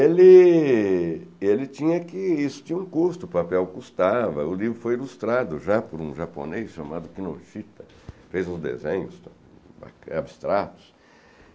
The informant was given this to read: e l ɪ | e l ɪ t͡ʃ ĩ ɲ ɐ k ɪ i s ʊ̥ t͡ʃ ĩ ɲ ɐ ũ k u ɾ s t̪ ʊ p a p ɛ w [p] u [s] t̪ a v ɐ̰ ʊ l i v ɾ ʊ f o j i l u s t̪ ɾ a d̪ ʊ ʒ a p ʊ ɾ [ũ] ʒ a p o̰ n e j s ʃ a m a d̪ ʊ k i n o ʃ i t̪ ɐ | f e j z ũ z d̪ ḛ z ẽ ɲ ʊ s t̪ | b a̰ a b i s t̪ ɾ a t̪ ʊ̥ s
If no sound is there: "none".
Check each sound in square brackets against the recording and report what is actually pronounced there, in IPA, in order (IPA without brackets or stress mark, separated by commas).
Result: k, s, ũ